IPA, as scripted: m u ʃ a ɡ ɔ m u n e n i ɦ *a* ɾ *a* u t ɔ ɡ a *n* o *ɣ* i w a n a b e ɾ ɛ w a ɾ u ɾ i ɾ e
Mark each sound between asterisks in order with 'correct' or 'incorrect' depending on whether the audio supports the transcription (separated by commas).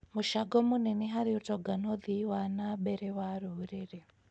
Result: correct, incorrect, correct, incorrect